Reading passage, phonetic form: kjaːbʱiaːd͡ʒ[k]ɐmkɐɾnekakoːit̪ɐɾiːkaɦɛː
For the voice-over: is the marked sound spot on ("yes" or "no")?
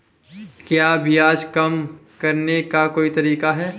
yes